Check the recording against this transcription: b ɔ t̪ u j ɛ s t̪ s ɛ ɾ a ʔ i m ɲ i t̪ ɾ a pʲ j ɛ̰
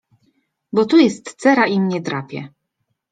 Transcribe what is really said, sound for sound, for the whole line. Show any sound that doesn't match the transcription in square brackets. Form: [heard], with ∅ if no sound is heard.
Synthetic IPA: b ɔ t̪ u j ɛ s t̪ s ɛ ɾ a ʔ i m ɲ [ɛ] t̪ ɾ a pʲ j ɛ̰